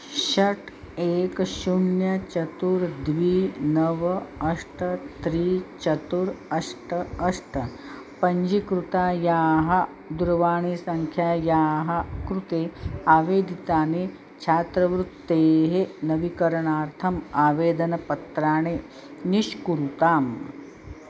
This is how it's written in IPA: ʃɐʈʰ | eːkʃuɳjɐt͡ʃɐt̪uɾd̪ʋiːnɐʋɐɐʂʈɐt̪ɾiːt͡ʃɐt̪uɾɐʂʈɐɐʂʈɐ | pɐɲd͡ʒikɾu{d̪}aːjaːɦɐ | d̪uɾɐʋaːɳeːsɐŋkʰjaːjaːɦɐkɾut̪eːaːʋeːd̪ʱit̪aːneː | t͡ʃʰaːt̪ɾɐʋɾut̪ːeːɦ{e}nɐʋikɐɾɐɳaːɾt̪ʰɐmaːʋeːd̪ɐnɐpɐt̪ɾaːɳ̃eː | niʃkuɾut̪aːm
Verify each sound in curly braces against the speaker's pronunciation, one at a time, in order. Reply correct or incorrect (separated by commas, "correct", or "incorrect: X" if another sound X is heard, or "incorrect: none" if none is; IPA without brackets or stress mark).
incorrect: t̪, correct